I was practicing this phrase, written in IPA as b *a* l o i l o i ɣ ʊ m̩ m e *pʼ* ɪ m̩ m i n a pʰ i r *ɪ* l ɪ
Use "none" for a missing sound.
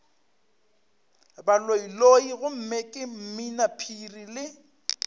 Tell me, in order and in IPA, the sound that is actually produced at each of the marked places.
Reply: a, kʼ, i

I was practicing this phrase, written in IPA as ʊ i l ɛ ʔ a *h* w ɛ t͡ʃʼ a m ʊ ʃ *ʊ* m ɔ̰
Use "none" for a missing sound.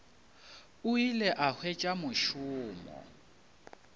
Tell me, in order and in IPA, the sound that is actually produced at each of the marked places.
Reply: h, ʊː

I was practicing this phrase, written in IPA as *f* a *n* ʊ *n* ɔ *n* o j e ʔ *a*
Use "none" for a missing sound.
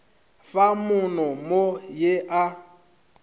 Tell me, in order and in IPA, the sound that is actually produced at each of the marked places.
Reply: f, m, n, m, a

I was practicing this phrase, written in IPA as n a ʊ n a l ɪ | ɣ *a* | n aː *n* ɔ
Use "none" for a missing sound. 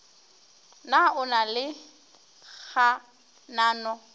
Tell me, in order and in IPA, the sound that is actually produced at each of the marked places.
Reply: a, n

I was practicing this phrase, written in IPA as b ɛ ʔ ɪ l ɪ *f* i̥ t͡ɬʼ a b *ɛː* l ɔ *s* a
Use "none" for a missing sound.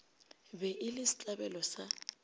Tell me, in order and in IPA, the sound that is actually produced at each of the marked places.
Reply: s, ɛ, s

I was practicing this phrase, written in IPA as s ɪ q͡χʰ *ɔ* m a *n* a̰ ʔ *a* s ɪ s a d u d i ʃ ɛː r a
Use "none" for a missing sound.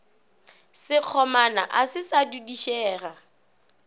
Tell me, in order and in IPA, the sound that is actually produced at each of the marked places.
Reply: ɔ, n, a

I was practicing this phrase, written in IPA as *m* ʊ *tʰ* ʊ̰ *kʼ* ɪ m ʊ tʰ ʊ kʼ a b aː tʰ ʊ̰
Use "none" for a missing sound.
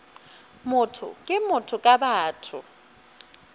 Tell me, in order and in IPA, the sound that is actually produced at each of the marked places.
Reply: m, tʰ, kʼ

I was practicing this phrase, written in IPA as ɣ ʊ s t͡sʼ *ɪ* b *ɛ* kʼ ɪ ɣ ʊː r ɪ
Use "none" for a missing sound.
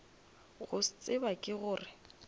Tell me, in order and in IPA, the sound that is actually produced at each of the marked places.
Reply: ɪ, a

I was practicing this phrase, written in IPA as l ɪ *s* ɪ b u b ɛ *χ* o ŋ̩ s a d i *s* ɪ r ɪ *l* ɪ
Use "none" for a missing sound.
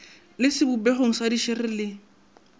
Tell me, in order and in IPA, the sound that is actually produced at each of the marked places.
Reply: s, χ, ʃ, l

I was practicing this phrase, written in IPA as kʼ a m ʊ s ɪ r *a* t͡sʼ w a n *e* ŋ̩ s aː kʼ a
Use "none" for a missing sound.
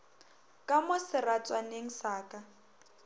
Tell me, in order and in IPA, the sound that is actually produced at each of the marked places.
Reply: a, e

